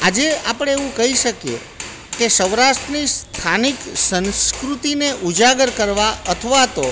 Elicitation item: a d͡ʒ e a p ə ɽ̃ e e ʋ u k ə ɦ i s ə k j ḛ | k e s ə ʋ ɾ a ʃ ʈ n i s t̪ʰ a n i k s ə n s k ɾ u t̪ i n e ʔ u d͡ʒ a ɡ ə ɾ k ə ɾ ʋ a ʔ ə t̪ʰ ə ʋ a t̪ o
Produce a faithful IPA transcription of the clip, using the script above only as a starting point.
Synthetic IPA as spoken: a d͡ʒ e a p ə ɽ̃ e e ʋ ũ k ə ɦ i ʃ ə k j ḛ | k e s ə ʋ ɾ a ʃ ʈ n i s t̪ʰ a n i k s ə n s k ɾ u t̪ i n e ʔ u d͡ʒ a ɡ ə ɾ k ə ɾ ʋ a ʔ ə t̪ʰ ə ʋ a t̪ o